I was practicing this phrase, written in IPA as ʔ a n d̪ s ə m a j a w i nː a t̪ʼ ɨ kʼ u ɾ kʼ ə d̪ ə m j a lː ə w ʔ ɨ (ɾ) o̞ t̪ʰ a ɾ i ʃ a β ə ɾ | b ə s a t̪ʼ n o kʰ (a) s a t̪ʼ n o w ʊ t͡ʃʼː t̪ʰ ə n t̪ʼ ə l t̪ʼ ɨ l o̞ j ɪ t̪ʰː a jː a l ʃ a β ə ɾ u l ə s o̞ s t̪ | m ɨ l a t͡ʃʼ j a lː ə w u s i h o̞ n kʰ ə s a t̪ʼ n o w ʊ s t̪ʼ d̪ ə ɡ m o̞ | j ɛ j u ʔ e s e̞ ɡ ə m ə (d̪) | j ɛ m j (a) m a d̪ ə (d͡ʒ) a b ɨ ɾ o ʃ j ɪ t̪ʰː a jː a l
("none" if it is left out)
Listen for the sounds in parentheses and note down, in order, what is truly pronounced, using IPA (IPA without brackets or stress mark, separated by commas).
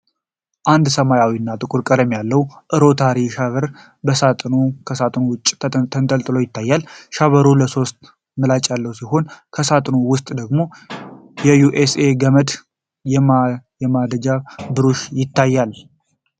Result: ɾ, ə, d̪, ɛ, d͡ʒ